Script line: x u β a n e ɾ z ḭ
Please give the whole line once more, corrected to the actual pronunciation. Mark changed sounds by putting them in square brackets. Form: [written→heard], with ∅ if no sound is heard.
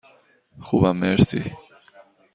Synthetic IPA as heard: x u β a [n→m] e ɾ [z→s] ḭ